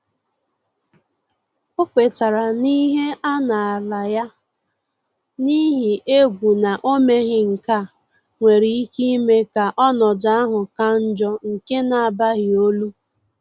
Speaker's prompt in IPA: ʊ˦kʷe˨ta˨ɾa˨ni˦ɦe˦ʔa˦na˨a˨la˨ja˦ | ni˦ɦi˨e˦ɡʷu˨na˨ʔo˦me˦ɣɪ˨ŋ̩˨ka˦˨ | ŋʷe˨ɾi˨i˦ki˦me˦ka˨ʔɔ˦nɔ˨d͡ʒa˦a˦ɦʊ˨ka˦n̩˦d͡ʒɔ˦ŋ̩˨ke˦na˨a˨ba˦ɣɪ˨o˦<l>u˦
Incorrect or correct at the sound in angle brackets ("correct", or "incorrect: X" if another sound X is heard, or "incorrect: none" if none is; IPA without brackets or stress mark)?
correct